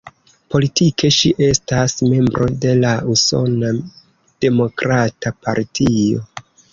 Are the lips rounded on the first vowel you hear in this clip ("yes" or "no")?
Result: yes